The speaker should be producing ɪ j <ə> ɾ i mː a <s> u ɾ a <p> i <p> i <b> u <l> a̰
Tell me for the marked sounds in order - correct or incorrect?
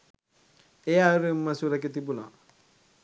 incorrect: a, correct, incorrect: k, incorrect: t, correct, correct

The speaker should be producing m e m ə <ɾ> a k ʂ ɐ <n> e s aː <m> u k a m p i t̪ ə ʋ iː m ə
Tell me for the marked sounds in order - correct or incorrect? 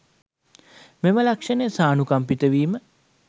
incorrect: l, correct, incorrect: n

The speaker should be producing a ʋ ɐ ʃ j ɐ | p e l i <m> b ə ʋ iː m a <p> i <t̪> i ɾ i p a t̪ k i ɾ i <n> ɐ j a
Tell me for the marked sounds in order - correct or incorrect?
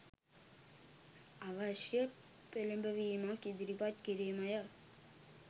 correct, incorrect: k, incorrect: d̪, incorrect: m

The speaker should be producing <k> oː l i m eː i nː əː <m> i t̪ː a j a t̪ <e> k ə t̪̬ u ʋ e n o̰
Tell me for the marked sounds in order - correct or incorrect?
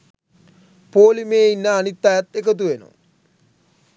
incorrect: p, incorrect: n, correct

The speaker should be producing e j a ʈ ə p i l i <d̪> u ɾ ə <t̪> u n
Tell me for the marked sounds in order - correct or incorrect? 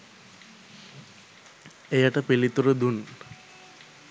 incorrect: t̪, incorrect: d̪

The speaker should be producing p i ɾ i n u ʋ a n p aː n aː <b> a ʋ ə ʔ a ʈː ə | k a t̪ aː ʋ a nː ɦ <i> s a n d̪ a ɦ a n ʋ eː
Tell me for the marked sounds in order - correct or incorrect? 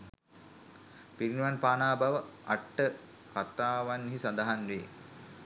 correct, correct

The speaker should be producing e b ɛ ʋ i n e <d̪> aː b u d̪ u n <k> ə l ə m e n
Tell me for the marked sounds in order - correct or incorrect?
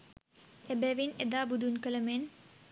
correct, correct

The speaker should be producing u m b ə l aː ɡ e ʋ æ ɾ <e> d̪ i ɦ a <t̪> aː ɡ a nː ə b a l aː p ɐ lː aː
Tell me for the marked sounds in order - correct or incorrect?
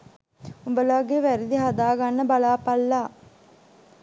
incorrect: i, incorrect: d̪

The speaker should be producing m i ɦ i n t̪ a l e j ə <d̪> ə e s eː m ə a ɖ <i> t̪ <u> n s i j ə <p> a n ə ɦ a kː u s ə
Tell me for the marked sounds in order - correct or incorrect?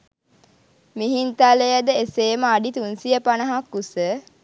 correct, correct, correct, correct

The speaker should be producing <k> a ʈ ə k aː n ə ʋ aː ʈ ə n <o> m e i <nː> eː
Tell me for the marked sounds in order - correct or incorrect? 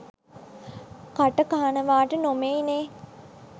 correct, correct, incorrect: n

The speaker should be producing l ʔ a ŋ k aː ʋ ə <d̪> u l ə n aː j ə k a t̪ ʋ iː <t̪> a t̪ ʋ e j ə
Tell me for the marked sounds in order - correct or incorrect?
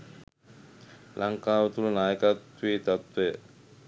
incorrect: t̪, correct

